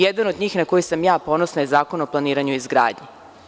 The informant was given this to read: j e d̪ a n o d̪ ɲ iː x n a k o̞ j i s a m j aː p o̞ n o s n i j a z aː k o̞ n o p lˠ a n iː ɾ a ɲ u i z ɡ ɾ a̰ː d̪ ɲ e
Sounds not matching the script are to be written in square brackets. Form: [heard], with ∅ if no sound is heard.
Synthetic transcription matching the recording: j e d̪ a n o d̪ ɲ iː x n a k o̞ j i s a m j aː p o̞ n o s n [a] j [e] z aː k o̞ n o p lˠ a n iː ɾ a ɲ u i z ɡ ɾ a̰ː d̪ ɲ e

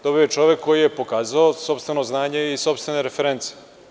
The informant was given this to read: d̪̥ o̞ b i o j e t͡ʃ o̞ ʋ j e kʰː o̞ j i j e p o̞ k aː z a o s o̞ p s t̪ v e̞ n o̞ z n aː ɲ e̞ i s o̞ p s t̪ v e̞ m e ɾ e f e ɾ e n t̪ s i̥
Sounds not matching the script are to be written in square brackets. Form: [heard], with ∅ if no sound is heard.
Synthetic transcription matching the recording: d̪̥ o̞ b i o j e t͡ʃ o̞ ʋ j e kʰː o̞ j i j e p o̞ k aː z a o s o̞ p s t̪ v e̞ n o̞ z n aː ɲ e̞ i s o̞ p s t̪ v e̞ [n] e ɾ e f e ɾ e n t̪ s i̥

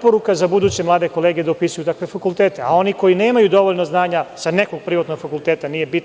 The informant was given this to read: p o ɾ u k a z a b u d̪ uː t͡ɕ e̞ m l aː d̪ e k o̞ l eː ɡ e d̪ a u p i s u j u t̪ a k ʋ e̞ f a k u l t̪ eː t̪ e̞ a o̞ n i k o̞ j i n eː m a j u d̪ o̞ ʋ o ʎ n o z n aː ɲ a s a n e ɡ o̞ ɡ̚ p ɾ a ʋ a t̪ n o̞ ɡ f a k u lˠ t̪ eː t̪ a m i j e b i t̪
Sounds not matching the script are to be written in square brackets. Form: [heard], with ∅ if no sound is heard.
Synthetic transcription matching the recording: p o ɾ u k a z a b u d̪ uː t͡ɕ e̞ m l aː d̪ e k o̞ l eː ɡ e d̪ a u p i s u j u t̪ a k ʋ e̞ f a k u l t̪ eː t̪ e̞ a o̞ n i k o̞ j i n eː m a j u d̪ o̞ ʋ o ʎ n o z n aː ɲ a s a n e [k] o̞ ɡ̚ p ɾ [i] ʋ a t̪ n o̞ ɡ f a k u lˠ t̪ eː t̪ a [n] i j e b i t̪

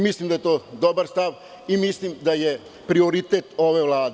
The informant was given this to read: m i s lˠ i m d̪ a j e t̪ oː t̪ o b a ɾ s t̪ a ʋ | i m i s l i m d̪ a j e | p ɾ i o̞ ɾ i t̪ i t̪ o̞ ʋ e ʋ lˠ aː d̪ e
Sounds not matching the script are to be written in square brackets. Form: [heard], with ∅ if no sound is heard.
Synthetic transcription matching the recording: m i s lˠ i m d̪ a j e t̪ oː [d̪] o b a ɾ s t̪ a ʋ | i m i s l i m d̪ a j e | p ɾ i o̞ ɾ i t̪ [e] t̪ o̞ ʋ e ʋ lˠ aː d̪ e

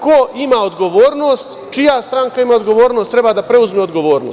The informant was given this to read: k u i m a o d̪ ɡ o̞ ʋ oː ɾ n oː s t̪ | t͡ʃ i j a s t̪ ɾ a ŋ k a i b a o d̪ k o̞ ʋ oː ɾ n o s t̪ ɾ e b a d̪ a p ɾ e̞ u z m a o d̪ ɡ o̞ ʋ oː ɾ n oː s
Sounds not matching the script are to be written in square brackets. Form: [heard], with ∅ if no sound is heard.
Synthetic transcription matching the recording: k [o] i m a o d̪ ɡ o̞ ʋ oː ɾ n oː s t̪ | t͡ʃ i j a s t̪ ɾ a ŋ k a i [m] a o d̪ [ɡ] o̞ ʋ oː ɾ n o s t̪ ɾ e b a d̪ a p ɾ e̞ u z m [e] o d̪ ɡ o̞ ʋ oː ɾ n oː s

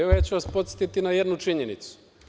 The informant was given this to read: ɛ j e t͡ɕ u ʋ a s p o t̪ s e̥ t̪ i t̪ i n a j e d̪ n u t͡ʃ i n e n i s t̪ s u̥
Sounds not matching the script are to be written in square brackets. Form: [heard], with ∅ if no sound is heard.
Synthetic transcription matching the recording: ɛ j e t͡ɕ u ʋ a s p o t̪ s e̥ t̪ i t̪ i n a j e d̪ n u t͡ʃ i [ɲ] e n i [∅] t̪ s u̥

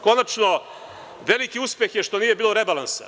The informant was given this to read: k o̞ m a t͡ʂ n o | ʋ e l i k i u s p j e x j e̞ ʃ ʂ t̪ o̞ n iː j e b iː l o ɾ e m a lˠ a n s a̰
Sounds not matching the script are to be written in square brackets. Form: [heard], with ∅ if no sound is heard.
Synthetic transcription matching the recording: k o̞ [n] a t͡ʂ n o | ʋ e l i k i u s p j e x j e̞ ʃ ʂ t̪ o̞ n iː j e b iː l o ɾ e [b] a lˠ a n s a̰

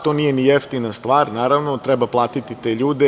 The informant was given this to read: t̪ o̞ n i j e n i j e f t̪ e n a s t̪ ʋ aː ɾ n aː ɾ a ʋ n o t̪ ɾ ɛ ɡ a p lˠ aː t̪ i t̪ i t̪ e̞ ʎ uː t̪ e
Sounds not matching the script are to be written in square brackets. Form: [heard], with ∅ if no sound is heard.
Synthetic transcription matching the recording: t̪ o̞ n i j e n i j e f t̪ [i] n a s t̪ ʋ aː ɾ n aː ɾ a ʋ n o t̪ ɾ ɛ [b] a p lˠ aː t̪ i t̪ i t̪ e̞ ʎ uː [d̪] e

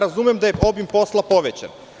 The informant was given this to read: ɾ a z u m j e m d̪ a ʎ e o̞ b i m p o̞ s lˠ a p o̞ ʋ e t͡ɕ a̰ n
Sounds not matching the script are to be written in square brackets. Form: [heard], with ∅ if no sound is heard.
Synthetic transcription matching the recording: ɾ a z u m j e m d̪ a [j] e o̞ b i m p o̞ s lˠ a p o̞ ʋ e t͡ɕ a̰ n

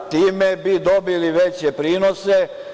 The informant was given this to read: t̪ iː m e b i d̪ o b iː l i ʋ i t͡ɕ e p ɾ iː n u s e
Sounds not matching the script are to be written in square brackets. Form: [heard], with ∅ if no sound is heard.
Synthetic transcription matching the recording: t̪ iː m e b i d̪ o b [i] l i ʋ [e] t͡ɕ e p ɾ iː n [o] s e

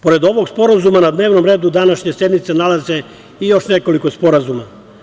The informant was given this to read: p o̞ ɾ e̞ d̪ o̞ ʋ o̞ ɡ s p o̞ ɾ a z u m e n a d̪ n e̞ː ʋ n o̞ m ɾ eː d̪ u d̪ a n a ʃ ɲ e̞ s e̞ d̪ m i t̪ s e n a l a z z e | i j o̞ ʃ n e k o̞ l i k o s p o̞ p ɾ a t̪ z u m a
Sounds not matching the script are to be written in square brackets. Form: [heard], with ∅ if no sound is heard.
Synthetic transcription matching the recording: p o̞ ɾ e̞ d̪ o̞ ʋ o̞ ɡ s p o̞ ɾ a z u m [a] n a d̪ n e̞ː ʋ n o̞ m ɾ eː d̪ u d̪ a n a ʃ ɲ e̞ s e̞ d̪ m i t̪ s e n a l a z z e | i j o̞ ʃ n e k o̞ l i k o s p o̞ [∅] ɾ a [∅] z u m a

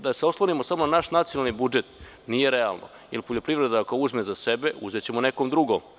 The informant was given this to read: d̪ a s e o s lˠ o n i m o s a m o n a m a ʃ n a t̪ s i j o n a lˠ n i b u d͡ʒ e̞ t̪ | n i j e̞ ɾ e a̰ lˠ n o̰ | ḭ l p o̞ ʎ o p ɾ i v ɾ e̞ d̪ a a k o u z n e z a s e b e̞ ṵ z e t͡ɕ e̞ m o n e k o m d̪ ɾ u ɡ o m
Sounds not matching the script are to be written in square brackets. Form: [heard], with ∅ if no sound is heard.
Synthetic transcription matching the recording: d̪ a s e o s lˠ o n i m o s a m o n a [n] a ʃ n a t̪ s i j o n a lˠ n i b u d͡ʒ e̞ t̪ | n i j e̞ ɾ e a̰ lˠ n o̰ | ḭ l p o̞ ʎ o p ɾ i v ɾ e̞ d̪ a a k o u z [m] e z a s e b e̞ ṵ z e t͡ɕ e̞ m o n e k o m d̪ ɾ u ɡ o m

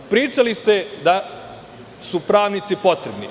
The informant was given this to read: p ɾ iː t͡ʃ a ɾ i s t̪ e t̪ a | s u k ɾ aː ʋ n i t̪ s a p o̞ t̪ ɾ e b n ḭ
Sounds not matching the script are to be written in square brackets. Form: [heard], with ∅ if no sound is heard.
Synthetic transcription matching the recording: p ɾ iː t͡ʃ a [l] i s t̪ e [d̪] a | s u [p] ɾ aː ʋ n i t̪ s [i] p o̞ t̪ ɾ e b n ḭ

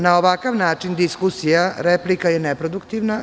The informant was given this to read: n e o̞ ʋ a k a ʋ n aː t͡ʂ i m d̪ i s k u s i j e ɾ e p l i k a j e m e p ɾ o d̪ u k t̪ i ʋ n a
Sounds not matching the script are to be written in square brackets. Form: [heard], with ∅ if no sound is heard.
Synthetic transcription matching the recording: n [a] o̞ ʋ a k a ʋ n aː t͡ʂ i [n] d̪ i s k u s i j [a] ɾ e p l i k a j e [n] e p ɾ o d̪ u k t̪ i ʋ n a

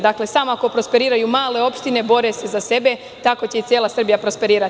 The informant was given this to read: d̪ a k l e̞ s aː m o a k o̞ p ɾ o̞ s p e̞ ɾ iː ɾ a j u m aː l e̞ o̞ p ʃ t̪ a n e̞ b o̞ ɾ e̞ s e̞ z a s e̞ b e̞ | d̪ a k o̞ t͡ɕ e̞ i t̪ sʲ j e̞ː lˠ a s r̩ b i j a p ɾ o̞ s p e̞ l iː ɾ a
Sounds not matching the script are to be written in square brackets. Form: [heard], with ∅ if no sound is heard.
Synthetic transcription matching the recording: d̪ a k l e̞ s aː m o a k o̞ p ɾ o̞ s p e̞ ɾ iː ɾ a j u m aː l e̞ o̞ p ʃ t̪ [i] n e̞ b o̞ ɾ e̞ s e̞ z a s e̞ b e̞ | [t̪] a k o̞ t͡ɕ e̞ i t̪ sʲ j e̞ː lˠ a s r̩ b i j a p ɾ o̞ s p e̞ [ɾ] iː ɾ a

